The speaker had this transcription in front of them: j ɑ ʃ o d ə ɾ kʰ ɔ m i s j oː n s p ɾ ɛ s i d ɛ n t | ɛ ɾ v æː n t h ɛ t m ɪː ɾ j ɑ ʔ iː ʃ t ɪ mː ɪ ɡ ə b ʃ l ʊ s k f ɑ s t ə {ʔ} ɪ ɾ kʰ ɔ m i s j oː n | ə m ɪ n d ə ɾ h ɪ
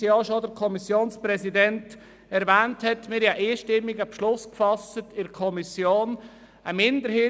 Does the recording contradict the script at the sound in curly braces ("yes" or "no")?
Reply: yes